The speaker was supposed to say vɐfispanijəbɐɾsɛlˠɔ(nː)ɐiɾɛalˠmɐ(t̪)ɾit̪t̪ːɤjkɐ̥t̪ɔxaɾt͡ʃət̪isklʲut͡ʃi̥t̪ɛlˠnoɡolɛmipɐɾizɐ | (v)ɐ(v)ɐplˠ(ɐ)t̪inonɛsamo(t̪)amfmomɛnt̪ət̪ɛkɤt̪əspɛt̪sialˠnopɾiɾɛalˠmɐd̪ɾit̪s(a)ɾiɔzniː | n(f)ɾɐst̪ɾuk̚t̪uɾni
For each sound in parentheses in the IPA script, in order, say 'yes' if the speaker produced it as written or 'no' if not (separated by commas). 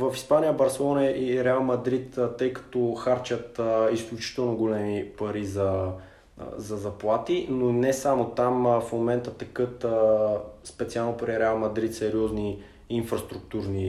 no, no, no, no, no, yes, no, yes